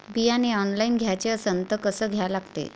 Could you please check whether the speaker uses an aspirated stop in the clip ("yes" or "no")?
no